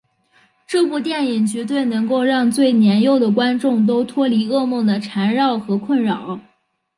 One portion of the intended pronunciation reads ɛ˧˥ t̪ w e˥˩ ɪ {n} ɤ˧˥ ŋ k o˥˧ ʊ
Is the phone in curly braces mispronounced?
no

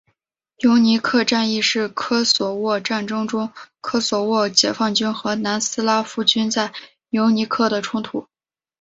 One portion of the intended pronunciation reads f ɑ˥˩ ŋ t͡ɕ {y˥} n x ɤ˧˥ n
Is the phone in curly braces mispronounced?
no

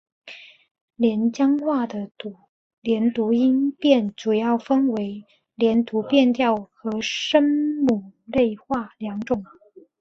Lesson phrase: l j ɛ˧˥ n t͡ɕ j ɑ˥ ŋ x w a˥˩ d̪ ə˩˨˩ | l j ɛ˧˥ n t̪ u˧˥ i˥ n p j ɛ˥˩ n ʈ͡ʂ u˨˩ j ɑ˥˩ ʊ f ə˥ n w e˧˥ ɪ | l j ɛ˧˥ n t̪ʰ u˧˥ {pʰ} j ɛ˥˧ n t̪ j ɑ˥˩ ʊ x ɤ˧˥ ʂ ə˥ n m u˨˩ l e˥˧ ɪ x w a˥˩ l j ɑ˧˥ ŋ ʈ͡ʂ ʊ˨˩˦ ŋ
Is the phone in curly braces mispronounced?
yes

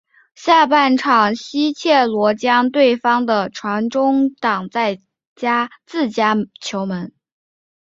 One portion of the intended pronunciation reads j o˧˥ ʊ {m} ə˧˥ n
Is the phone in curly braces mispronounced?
no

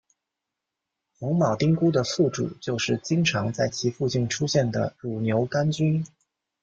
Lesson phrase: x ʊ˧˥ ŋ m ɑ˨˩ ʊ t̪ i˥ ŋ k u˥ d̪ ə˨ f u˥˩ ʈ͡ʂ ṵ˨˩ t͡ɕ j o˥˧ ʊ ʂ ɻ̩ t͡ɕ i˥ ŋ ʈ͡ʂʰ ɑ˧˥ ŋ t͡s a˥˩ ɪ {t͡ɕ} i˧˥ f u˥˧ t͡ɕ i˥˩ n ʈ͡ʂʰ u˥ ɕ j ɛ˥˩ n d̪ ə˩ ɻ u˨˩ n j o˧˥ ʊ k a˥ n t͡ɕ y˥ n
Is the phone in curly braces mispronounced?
yes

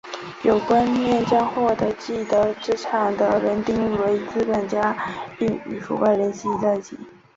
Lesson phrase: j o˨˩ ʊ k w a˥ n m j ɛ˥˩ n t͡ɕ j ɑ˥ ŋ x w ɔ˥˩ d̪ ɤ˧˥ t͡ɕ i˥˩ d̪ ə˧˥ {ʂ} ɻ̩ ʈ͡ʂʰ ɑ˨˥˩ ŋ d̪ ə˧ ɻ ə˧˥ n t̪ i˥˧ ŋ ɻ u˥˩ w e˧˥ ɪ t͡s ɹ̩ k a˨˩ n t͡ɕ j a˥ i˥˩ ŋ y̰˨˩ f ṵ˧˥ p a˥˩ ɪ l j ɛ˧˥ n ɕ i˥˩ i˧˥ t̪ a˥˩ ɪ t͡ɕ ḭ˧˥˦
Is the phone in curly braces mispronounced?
yes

